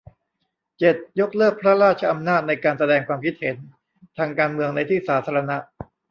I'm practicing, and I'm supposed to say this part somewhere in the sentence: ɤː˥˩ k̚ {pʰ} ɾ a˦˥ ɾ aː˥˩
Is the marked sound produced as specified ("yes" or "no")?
yes